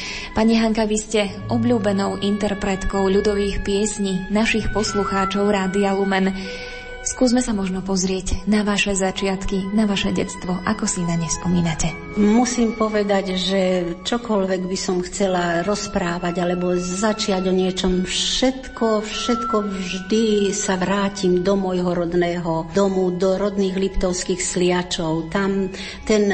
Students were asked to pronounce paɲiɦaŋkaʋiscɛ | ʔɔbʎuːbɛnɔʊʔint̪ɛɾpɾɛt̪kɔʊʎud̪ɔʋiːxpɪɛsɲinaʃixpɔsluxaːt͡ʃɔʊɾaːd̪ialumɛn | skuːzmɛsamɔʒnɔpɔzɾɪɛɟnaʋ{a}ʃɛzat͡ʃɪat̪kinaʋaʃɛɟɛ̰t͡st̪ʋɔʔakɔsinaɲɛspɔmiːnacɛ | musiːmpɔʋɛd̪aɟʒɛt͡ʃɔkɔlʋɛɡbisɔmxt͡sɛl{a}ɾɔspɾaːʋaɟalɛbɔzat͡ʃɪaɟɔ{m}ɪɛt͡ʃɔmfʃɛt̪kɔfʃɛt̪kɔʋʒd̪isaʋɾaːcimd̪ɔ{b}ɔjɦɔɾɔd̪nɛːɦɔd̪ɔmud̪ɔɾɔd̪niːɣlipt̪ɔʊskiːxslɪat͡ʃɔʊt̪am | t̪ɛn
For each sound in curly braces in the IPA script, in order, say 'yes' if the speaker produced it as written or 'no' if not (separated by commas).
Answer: yes, yes, no, no